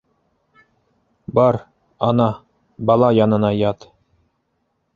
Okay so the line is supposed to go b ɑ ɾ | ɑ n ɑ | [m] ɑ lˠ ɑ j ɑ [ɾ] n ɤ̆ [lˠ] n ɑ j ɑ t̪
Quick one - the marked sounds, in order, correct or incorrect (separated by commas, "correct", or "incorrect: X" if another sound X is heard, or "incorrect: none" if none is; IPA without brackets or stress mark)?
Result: incorrect: b, incorrect: none, incorrect: none